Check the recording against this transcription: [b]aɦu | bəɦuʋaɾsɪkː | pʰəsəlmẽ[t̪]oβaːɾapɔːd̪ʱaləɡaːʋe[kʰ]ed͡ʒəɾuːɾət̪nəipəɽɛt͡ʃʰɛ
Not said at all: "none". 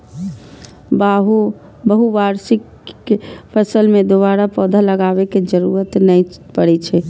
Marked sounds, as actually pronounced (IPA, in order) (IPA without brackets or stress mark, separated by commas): b, d̪, k